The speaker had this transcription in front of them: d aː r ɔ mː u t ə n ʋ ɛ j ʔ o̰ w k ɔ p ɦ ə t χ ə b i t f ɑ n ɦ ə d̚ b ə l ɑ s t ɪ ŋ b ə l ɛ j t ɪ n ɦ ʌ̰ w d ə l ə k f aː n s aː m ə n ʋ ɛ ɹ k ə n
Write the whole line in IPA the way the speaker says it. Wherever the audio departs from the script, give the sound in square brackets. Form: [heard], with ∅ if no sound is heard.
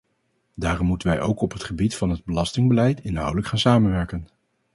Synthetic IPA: d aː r ɔ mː u t ə n ʋ ɛ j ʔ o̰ w k ɔ p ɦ ə t χ ə b i t f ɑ n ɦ ə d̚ b ə l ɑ s t ɪ ŋ b ə l ɛ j t ɪ n ɦ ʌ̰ w d ə l ə k [χ] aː n s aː m ə n ʋ ɛ ɹ k ə n